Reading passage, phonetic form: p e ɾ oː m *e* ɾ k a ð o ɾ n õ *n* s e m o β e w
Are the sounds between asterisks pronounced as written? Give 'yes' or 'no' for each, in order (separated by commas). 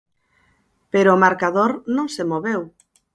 no, no